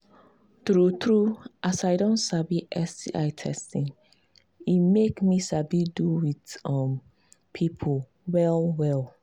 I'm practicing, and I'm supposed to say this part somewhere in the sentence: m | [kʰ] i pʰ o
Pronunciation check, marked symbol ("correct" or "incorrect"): incorrect